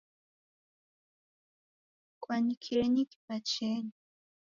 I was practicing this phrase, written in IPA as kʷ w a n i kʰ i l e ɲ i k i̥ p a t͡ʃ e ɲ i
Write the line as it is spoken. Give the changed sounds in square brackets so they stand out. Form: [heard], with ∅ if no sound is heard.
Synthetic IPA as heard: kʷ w a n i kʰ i [ɾ] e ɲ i k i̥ p a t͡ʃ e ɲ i